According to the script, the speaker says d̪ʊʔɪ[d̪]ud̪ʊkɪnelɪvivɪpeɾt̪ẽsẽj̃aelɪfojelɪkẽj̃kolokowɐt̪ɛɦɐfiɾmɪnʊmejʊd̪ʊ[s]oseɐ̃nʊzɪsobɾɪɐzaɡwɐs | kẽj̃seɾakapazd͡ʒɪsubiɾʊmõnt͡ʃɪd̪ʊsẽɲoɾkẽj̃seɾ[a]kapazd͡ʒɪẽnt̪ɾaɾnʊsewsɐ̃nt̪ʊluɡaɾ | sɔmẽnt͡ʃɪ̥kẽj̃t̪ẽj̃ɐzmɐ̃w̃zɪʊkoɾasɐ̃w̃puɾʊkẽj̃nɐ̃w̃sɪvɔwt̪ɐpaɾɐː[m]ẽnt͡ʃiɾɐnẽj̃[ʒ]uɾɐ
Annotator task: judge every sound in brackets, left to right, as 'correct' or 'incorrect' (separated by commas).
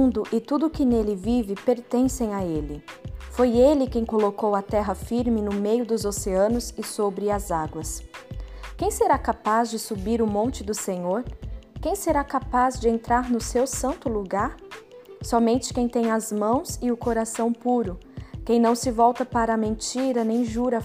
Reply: incorrect, incorrect, correct, correct, correct